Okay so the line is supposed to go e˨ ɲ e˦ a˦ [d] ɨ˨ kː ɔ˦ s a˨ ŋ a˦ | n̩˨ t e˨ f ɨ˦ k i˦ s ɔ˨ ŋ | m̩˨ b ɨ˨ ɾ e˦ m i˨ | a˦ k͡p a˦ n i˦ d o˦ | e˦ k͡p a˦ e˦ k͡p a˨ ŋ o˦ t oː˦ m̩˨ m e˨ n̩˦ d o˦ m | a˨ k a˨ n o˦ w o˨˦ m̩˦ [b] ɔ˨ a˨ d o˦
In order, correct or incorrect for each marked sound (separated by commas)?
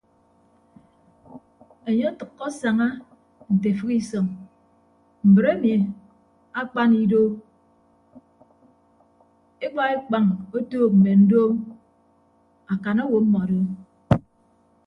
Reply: incorrect, incorrect